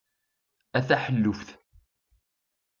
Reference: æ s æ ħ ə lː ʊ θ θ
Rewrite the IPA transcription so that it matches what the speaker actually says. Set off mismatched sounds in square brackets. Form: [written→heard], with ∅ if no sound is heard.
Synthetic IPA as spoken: æ [s→θ] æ ħ ə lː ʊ [θ→f] θ